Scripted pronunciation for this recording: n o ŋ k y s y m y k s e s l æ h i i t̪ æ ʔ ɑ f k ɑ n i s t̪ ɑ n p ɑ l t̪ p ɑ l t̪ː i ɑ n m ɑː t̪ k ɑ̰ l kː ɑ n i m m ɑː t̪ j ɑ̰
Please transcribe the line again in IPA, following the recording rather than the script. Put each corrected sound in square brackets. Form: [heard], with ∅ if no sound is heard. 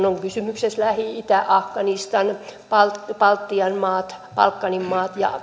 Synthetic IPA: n o ŋ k y s y m y k s e s l æ h i i t̪ æ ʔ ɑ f k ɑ n i s t̪ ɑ n p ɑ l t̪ p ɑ l t̪ː i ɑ n m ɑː t̪ [p] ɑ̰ l kː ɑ n i m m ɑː t̪ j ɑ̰